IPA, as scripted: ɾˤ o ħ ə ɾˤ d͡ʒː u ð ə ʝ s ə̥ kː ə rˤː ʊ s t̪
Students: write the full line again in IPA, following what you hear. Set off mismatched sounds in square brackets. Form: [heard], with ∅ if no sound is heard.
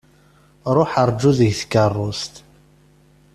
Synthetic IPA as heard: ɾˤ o ħ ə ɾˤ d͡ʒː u ð ə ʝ [θ] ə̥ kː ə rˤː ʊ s t̪

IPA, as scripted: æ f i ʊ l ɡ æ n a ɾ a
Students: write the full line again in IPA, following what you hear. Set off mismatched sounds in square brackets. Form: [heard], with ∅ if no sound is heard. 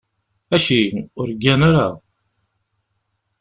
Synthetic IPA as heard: æ [ʃ] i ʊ [ɾ] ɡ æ n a ɾ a

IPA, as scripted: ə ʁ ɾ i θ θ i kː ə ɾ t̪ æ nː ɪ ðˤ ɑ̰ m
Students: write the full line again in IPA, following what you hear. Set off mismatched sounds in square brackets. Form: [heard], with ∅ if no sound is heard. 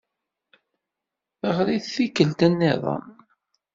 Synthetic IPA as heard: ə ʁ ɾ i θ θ i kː ə [l] t̪ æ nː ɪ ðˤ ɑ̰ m

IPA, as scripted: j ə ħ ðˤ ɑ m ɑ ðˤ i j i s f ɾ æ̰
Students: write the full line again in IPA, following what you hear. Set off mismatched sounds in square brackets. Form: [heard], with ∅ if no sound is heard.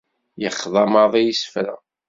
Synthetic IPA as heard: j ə [χ] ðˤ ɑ m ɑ ðˤ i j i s f ɾ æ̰

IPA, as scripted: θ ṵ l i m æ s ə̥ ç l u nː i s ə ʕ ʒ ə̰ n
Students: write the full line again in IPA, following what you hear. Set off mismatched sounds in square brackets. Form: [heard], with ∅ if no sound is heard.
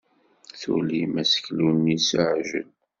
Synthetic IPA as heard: θ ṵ l i m æ s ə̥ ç l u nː i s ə ʕ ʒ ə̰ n

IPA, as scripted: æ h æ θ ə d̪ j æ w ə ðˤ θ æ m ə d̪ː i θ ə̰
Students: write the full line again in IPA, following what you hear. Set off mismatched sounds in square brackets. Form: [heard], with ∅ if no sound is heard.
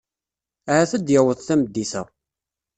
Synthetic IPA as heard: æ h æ θ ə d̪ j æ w ə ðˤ θ æ m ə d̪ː i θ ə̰

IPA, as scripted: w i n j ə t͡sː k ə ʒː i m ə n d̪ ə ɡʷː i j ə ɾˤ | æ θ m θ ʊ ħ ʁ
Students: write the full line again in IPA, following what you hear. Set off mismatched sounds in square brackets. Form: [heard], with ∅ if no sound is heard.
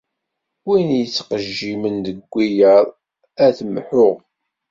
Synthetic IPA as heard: w i n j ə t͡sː [q] ə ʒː i m ə n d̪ ə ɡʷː i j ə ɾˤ | æ θ m [ħ] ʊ [∅] ʁ

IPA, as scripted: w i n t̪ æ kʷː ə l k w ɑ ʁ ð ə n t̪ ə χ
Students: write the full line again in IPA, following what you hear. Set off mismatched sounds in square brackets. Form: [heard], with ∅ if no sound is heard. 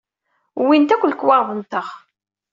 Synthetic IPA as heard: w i n t̪ æ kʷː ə l k w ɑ ʁ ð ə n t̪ ə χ

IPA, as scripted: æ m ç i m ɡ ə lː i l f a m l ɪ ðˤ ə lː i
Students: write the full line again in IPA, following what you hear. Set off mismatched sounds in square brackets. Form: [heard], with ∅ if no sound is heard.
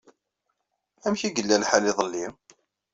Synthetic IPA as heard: æ m ç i [∅] ɡ ə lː [æ] l [ħ] a [∅] l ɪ ðˤ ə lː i

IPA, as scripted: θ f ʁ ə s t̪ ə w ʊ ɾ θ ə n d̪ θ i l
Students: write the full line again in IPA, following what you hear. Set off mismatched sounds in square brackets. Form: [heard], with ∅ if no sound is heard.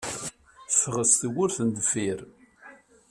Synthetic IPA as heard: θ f ʁ ə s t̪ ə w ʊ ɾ θ ə n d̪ [f] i [ɾ]

